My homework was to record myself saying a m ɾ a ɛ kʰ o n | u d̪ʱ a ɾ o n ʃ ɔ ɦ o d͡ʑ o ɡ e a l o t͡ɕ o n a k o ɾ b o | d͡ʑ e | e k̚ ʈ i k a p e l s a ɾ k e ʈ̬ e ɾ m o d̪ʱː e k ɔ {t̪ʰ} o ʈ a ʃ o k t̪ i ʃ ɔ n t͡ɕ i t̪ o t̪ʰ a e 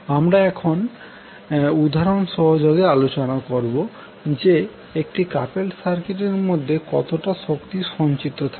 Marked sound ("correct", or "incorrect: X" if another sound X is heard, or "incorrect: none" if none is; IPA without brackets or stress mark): incorrect: t̪